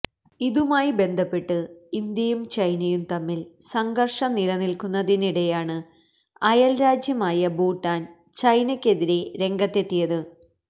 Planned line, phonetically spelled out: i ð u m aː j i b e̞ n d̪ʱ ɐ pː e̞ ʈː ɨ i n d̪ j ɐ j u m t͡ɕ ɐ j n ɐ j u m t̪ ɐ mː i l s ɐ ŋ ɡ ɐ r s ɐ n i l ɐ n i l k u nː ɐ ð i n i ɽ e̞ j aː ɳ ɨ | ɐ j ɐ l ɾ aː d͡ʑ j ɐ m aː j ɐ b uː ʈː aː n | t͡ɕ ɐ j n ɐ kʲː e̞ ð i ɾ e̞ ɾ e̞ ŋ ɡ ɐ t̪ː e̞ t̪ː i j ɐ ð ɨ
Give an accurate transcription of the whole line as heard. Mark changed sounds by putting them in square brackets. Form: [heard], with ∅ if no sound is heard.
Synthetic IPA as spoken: i ð u m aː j i b e̞ n d̪ʱ ɐ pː e̞ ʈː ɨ i n d̪ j ɐ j u m t͡ɕ ɐ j n ɐ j u m t̪ ɐ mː i l s ɐ ŋ ɡ ɐ r [ʂ] ɐ n i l ɐ n i l k u nː ɐ ð i n i ɽ e̞ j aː ɳ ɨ | ɐ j ɐ l ɾ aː d͡ʑ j ɐ m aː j ɐ b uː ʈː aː n | t͡ɕ ɐ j n ɐ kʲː e̞ ð i ɾ e̞ ɾ e̞ ŋ ɡ ɐ t̪ː e̞ t̪ː i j ɐ ð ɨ

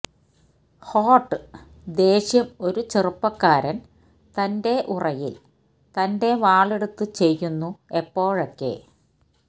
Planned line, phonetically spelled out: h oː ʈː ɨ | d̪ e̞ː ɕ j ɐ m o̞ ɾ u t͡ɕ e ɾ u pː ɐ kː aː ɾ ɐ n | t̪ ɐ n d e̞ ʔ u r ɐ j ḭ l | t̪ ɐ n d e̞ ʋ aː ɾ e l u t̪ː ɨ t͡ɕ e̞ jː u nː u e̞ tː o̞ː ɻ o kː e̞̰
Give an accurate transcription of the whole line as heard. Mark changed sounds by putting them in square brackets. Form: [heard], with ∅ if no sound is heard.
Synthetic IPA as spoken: h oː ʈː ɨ | d̪ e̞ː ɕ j ɐ m o̞ ɾ u t͡ɕ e [r] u pː ɐ kː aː ɾ ɐ n | t̪ ɐ n d e̞ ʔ u r ɐ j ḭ l | t̪ ɐ n d e̞ ʋ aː [ɭ] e [ɽ] u t̪ː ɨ t͡ɕ e̞ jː u nː u e̞ [pː] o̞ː ɻ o kː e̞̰

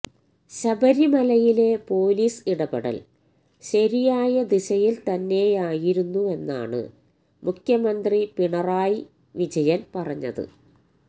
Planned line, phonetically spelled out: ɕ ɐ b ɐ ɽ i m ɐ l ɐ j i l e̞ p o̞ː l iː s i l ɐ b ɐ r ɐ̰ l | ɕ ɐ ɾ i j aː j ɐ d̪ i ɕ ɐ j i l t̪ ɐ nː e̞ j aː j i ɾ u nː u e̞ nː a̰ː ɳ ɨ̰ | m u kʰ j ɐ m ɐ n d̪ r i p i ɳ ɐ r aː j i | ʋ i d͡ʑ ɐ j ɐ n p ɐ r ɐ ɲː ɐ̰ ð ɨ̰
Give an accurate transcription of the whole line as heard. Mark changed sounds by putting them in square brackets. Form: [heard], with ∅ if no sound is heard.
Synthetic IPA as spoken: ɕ ɐ b ɐ [ɾ] i m ɐ l ɐ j i l e̞ p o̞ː l iː s i [ɽ] ɐ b ɐ [ɽ] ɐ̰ l | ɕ ɐ ɾ i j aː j ɐ d̪ i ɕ ɐ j i l t̪ ɐ nː e̞ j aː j i ɾ u nː u e̞ nː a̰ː ɳ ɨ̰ | m u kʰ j ɐ m ɐ n d̪ r i p i ɳ ɐ r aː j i | ʋ i d͡ʑ ɐ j ɐ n p ɐ r ɐ ɲː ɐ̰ ð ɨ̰

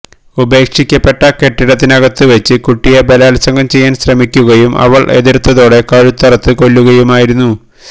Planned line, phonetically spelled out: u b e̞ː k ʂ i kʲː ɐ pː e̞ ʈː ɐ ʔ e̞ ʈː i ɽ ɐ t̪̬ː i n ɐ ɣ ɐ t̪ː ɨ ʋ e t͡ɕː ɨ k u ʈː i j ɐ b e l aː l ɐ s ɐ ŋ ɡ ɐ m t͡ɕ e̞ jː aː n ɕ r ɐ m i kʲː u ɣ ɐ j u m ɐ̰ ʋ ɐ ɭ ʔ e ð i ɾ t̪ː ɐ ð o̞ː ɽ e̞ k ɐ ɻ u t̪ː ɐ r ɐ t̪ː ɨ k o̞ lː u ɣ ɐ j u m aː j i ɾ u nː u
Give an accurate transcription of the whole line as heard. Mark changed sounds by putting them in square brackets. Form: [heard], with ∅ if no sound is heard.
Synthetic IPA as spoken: u b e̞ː k ʂ i kʲː ɐ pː e̞ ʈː ɐ [k] e̞ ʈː i ɽ ɐ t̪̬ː i n ɐ ɣ ɐ t̪ː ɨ ʋ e t͡ɕː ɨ k u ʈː i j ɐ b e l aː l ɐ s ɐ ŋ ɡ ɐ m t͡ɕ e̞ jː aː n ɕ r ɐ m i kʲː u ɣ ɐ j u m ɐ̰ ʋ ɐ ɭ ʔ e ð i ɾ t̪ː ɐ ð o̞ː ɽ e̞ k ɐ ɻ u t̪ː ɐ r ɐ t̪ː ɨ k o̞ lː u ɣ ɐ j u m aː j i ɾ u nː u

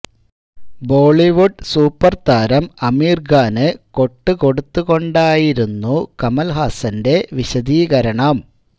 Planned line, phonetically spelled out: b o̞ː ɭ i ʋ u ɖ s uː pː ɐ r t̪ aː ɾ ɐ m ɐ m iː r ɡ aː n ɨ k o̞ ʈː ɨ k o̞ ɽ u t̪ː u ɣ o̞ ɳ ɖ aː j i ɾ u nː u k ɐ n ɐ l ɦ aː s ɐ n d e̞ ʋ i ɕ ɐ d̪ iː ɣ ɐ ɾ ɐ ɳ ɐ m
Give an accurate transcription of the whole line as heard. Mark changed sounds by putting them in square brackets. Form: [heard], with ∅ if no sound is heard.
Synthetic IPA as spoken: b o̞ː ɭ i ʋ u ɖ s uː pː ɐ r t̪ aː ɾ ɐ m ɐ m iː r ɡ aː n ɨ k o̞ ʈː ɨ k o̞ ɽ u t̪ː u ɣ o̞ ɳ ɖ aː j i ɾ u nː u k ɐ [m] ɐ l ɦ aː s ɐ n d e̞ ʋ i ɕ ɐ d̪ iː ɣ ɐ ɾ ɐ ɳ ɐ m

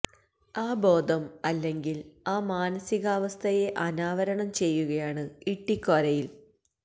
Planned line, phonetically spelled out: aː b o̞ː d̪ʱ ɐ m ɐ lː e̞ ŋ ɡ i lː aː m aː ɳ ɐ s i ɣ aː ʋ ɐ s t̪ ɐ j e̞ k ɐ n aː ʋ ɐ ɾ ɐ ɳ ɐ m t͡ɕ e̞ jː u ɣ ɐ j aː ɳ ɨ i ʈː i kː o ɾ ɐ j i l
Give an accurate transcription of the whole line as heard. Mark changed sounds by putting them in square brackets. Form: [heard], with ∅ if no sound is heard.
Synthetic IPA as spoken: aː b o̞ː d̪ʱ ɐ m ɐ lː e̞ ŋ ɡ i [l] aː m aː [n] ɐ s i ɣ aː ʋ ɐ s [t̪ʰ] ɐ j e̞ [ʔ] ɐ n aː ʋ ɐ ɾ ɐ ɳ ɐ m t͡ɕ e̞ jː u ɣ ɐ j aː ɳ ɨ i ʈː i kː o ɾ ɐ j i l

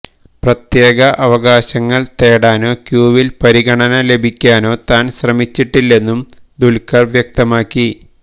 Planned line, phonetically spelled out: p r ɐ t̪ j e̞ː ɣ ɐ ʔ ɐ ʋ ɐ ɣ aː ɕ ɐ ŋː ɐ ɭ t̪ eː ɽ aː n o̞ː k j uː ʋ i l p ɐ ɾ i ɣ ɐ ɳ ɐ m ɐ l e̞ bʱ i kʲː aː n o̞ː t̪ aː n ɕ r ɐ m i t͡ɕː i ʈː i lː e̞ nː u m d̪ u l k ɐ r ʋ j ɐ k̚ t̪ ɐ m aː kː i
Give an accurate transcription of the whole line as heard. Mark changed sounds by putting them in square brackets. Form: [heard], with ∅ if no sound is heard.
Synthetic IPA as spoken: p r ɐ t̪ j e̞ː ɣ ɐ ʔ ɐ ʋ ɐ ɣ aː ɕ ɐ ŋː ɐ ɭ t̪ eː ɽ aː n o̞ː k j uː ʋ i l p ɐ ɾ i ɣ ɐ ɳ ɐ [n] ɐ l e̞ bʱ i kʲː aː n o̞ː t̪ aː n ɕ r ɐ m i t͡ɕː i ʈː i lː e̞ nː u m d̪ u l k ɐ r ʋ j ɐ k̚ t̪ ɐ m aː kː i

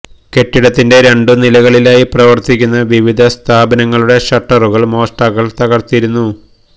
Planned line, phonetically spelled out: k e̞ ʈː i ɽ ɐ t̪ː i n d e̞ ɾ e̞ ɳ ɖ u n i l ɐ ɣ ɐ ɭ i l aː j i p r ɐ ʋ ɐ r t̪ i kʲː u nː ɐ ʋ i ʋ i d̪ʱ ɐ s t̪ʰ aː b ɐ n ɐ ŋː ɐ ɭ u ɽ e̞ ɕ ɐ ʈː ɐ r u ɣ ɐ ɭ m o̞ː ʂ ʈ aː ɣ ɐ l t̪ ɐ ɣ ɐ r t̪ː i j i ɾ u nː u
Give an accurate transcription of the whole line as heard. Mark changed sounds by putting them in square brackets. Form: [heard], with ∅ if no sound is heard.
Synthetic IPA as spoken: k e̞ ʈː i ɽ ɐ t̪ː i n d e̞ ɾ e̞ ɳ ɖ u n i l ɐ ɣ ɐ ɭ i l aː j i p r ɐ ʋ ɐ r t̪ i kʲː u nː ɐ ʋ i ʋ i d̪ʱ ɐ s t̪ʰ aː b ɐ n ɐ ŋː ɐ ɭ u ɽ e̞ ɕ ɐ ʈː ɐ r u ɣ ɐ ɭ m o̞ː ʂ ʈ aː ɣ ɐ [ɭ] t̪ ɐ ɣ ɐ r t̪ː i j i ɾ u nː u

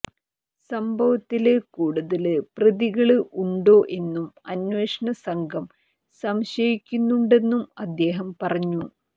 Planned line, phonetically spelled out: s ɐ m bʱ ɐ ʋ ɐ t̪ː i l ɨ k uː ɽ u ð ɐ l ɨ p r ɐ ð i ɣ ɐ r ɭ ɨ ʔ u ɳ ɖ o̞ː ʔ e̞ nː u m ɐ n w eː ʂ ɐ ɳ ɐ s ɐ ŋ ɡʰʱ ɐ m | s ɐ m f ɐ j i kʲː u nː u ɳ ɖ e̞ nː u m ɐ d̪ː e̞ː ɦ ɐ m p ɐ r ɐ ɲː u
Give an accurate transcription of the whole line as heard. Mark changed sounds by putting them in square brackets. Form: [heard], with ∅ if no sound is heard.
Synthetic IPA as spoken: s ɐ m bʱ ɐ ʋ ɐ t̪ː i l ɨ k uː ɽ u ð ɐ l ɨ p r ɐ ð i ɣ ɐ [∅] ɭ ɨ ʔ u ɳ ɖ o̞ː ʔ e̞ nː u m ɐ n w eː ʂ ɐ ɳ ɐ s ɐ ŋ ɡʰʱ ɐ m | s ɐ m [ɕ] ɐ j i kʲː u nː u ɳ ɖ e̞ nː u m ɐ d̪ː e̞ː ɦ ɐ m p ɐ r ɐ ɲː u

